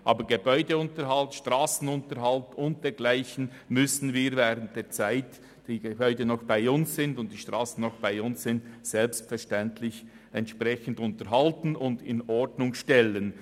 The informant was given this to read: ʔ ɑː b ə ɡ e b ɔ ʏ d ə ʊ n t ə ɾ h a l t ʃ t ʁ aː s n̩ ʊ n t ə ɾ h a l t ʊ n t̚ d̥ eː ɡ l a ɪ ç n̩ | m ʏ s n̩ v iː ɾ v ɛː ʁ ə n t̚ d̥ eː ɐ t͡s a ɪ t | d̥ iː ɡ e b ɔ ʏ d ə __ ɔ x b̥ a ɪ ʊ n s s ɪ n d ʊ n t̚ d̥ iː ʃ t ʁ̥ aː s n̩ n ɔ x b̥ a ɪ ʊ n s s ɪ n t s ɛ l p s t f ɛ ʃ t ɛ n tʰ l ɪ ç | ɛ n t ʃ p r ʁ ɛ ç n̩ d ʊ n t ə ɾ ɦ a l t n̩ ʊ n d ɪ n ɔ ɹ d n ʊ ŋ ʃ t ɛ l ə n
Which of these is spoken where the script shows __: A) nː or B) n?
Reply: B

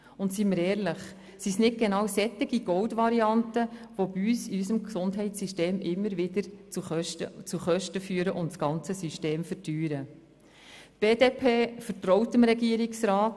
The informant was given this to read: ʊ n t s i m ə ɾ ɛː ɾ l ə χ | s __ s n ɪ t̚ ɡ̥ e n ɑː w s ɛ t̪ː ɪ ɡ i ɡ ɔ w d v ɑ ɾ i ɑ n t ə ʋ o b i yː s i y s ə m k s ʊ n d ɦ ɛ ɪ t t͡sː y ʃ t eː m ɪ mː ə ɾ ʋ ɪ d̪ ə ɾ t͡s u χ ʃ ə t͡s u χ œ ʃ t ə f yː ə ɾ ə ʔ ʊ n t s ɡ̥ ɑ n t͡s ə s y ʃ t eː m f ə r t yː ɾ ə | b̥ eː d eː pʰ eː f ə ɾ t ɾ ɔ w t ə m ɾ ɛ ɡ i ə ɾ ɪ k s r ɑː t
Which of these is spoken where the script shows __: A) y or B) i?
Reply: B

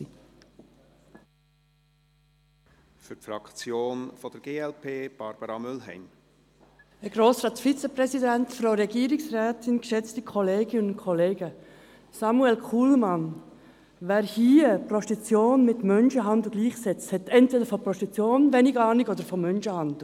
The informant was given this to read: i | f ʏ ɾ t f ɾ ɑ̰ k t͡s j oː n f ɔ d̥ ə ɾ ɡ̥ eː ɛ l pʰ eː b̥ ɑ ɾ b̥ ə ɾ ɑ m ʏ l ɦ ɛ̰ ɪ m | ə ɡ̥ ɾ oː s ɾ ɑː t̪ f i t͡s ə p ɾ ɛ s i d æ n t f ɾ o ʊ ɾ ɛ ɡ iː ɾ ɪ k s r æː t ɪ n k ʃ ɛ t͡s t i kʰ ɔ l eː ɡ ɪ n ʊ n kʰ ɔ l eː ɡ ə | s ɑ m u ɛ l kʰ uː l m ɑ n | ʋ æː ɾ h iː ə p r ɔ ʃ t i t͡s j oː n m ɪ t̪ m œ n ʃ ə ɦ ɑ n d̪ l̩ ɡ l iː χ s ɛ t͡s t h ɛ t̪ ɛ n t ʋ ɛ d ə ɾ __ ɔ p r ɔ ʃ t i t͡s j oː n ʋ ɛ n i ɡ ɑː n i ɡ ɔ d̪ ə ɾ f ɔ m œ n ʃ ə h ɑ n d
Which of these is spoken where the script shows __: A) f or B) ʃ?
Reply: A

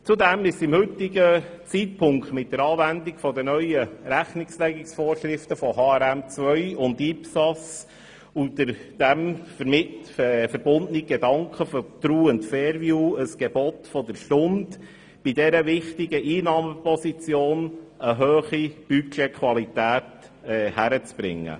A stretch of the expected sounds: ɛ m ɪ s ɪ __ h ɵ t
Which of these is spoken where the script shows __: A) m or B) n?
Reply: A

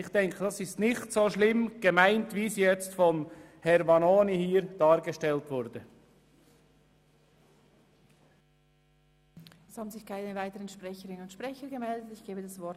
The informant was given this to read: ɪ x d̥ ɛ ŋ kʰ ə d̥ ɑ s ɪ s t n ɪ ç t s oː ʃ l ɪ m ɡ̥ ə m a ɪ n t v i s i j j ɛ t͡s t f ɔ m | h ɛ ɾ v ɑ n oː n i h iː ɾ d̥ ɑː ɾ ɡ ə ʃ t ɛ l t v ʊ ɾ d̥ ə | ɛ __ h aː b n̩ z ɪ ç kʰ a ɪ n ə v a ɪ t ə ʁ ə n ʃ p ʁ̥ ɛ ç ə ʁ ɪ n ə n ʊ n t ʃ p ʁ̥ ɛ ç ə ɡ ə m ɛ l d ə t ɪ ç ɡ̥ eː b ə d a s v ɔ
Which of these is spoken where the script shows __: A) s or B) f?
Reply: A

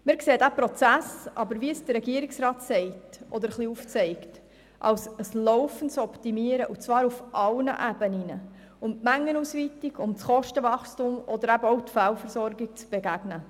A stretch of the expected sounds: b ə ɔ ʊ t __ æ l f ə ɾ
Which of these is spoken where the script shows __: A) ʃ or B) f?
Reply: B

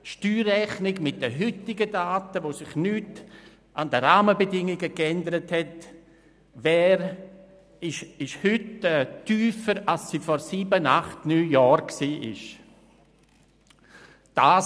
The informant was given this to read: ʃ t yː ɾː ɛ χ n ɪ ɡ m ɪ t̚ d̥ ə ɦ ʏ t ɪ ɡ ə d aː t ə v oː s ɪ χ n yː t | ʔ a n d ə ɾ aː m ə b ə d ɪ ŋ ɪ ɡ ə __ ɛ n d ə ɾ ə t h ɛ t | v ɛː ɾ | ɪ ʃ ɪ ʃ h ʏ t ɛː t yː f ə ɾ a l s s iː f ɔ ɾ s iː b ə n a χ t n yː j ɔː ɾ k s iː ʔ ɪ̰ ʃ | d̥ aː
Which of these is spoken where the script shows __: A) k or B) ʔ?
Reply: A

